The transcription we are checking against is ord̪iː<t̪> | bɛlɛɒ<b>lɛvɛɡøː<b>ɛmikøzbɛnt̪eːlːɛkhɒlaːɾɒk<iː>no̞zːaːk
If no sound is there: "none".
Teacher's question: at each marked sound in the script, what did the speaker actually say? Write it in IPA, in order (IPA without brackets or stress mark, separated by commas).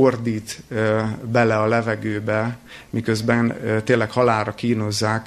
t̪, none, b, iː